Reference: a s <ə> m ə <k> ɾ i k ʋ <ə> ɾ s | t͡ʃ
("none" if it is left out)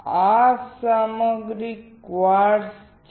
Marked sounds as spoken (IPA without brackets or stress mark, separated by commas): a, ɡ, a